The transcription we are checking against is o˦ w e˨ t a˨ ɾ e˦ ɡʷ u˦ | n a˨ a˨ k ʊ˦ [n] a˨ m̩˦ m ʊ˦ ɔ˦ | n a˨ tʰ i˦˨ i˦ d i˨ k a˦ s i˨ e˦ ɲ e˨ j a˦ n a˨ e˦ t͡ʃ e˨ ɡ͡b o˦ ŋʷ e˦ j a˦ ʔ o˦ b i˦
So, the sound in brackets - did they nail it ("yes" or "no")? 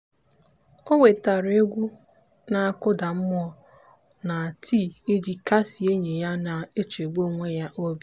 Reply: no